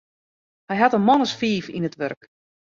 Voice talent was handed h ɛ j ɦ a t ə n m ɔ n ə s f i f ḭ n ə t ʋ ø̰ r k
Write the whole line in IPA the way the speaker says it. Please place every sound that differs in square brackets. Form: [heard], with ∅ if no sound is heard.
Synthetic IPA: h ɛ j ɦ a t ə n m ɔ n ə s f [iː] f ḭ n ə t ʋ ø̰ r k